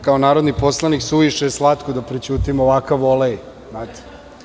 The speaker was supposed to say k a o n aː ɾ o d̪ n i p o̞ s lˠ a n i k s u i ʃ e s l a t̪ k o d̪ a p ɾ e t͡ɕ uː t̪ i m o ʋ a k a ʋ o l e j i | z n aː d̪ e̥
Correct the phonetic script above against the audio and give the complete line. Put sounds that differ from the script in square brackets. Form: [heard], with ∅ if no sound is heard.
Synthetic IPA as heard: k a o n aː ɾ o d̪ n i p o̞ s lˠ a n i k s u i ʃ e s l a t̪ k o d̪ a p ɾ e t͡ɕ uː t̪ i m o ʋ a k a ʋ o l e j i | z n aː [t̪] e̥